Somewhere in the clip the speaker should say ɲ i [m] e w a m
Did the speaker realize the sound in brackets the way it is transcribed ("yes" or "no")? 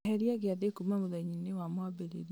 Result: no